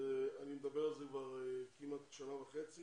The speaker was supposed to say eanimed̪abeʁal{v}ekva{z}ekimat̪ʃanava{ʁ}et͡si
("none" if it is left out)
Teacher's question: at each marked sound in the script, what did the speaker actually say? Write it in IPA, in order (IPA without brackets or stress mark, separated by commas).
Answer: z, ʁ, χ